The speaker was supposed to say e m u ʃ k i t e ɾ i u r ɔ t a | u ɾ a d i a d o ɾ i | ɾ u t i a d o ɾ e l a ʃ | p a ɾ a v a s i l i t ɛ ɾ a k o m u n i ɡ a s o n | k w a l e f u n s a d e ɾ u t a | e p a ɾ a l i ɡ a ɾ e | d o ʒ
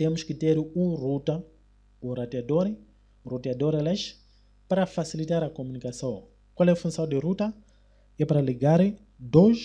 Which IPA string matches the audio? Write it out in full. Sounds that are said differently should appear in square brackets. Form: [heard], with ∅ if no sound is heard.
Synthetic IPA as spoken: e m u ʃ k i t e ɾ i u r [u] t a | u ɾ a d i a d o ɾ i | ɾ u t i a d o ɾ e l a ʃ | p a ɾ a [f] a s i l i t [a] ɾ a k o m u n i [k] a s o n | k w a l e f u n s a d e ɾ u t a | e p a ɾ a l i ɡ a ɾ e | d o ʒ